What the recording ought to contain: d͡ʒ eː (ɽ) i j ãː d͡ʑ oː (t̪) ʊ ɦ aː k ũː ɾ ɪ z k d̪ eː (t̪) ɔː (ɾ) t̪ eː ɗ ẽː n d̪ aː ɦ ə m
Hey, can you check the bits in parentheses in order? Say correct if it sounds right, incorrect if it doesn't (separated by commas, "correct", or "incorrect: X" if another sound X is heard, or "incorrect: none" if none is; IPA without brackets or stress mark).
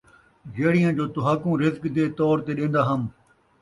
correct, correct, correct, correct